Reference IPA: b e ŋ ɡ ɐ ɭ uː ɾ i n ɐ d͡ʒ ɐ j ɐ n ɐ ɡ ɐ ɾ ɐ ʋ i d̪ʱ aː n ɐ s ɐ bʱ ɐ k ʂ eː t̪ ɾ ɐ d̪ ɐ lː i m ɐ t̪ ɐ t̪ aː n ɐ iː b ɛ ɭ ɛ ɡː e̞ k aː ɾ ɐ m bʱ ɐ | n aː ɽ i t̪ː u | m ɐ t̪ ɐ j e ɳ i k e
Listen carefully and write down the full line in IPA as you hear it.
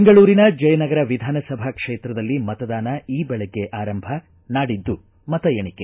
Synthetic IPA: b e ŋ ɡ ɐ ɭ uː ɾ i n ɐ d͡ʒ ɐ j ɐ n ɐ ɡ ɐ ɾ ɐ ʋ i d̪ʱ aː n ɐ s ɐ bʱ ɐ k ʂ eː t̪ ɾ ɐ d̪ ɐ lː i m ɐ t̪ ɐ d̪ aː n ɐ iː b ɛ ɭ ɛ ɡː e̞ ʔ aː ɾ ɐ m bʱ ɐ | n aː ɽ i d̪ː u | m ɐ t̪ ɐ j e ɳ i k e

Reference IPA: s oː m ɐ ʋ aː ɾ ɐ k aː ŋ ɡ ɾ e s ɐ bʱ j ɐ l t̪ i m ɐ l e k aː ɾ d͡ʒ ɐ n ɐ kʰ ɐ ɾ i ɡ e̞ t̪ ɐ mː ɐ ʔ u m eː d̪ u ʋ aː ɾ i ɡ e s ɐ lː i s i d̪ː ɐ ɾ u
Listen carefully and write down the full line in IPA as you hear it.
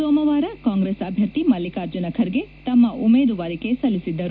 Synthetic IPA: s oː m ɐ ʋ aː ɾ ɐ k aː ŋ ɡ ɾ e s ɐ bʱ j ɐ ɾ t̪ i m ɐ l i k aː ɾ d͡ʒ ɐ n ɐ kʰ ɐ ɾ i ɡ e̞ t̪ ɐ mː ɐ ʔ u m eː d̪ u ʋ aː ɾ i k e s ɐ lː i s i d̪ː ɐ ɾ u

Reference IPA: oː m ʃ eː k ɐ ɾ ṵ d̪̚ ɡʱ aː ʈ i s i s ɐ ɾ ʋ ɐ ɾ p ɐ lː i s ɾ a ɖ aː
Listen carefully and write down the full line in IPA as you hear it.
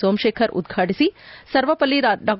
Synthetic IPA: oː m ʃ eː kʰ ɐ ɾ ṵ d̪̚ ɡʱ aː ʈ i s i s ɐ ɾ ʋ ɐ p ɐ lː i ɾ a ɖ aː

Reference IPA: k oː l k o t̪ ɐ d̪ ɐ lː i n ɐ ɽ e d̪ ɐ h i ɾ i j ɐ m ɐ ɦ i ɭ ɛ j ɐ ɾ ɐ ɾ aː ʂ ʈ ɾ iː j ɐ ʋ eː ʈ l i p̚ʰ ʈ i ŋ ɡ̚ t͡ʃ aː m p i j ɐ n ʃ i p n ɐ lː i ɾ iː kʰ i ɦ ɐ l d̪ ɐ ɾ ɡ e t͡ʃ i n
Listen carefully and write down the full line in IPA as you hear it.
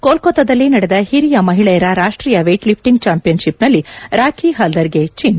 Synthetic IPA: k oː l k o t̪ ɐ d̪ ɐ lː i n ɐ ɽ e d̪ ɐ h i ɾ i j ɐ m ɐ ɦ i ɭ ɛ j ɐ ɾ ɐ ɾ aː ʂ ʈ ɾ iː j ɐ ʋ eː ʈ l i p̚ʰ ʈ i ŋ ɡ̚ t͡ʃ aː m p i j ɐ n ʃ i p n ɐ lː i ɾ aː kʰ i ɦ ɐ l d̪ ɐ ɾ ɡ e t͡ʃ i n

